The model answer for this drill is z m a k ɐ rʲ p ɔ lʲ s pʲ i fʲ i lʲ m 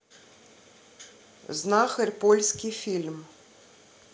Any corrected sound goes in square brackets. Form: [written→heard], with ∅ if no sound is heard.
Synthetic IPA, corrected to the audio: z [m→n] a [k→x] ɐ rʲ p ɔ lʲ s [pʲ→kʲ] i fʲ i lʲ m